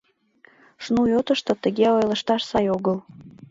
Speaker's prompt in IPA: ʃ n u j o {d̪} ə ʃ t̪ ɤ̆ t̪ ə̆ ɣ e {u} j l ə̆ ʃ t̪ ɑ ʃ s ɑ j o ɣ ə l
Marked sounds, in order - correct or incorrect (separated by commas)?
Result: incorrect, incorrect